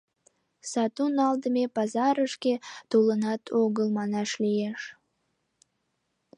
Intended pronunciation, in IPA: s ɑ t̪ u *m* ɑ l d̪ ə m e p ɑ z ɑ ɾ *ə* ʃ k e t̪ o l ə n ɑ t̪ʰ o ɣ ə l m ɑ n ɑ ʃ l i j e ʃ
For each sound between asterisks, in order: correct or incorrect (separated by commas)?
incorrect, correct